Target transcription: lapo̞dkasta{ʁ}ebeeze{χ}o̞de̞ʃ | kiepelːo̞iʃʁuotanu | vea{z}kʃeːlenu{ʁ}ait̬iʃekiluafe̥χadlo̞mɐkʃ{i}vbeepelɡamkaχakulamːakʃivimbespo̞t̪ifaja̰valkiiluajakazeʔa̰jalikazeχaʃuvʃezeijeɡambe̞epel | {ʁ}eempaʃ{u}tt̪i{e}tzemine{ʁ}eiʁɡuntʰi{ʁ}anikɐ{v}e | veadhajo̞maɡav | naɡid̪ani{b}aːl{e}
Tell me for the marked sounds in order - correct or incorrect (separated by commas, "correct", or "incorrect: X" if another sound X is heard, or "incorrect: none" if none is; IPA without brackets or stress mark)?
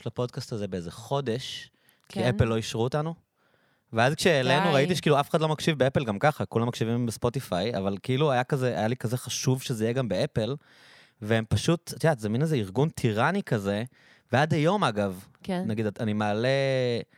incorrect: z, correct, correct, correct, correct, incorrect: v, correct, incorrect: a, incorrect: z, correct, incorrect: z, incorrect: m, correct